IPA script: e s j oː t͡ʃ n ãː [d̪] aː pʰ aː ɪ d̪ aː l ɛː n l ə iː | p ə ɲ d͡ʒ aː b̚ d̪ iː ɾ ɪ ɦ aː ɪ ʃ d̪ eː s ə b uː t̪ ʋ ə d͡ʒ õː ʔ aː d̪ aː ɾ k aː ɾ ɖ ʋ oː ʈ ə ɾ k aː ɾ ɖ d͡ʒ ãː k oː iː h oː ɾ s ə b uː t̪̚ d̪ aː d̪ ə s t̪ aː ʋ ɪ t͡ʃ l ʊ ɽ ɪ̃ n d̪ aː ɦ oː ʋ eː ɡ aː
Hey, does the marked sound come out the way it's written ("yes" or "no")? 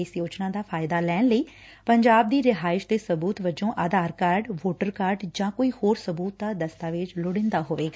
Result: yes